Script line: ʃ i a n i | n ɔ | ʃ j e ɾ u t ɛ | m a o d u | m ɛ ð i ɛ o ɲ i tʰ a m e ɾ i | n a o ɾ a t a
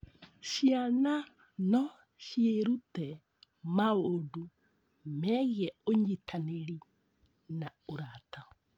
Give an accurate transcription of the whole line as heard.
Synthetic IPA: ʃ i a n a | n ɔ | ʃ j e ɾ u t ɛ | m a o d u | m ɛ ɣ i ɛ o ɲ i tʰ a n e ɾ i | n a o ɾ a t a